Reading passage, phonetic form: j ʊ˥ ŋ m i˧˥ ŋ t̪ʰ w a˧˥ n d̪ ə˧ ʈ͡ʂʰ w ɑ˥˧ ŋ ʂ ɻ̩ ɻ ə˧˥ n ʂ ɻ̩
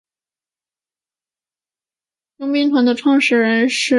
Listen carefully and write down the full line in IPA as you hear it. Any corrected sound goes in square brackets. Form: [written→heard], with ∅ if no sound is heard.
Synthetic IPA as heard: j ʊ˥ ŋ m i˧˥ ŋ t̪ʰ w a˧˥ n d̪ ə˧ ʈ͡ʂʰ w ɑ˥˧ ŋ ʂ ɻ̩ ɻ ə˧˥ n ʂ ɻ̩